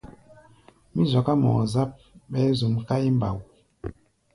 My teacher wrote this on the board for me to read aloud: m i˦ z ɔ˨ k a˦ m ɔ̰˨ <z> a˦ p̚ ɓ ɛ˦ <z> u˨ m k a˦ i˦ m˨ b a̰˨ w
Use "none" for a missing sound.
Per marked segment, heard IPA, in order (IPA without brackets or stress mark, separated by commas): z, z